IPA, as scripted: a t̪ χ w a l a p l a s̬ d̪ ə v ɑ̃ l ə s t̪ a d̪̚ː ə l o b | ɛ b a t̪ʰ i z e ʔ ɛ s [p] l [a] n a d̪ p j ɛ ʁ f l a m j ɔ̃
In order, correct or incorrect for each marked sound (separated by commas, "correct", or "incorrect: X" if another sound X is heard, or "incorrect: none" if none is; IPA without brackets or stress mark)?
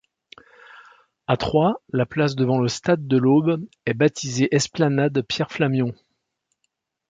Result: correct, correct